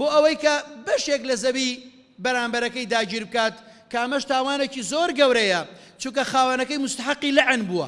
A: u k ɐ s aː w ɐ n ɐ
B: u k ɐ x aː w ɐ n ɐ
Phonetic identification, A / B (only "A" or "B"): B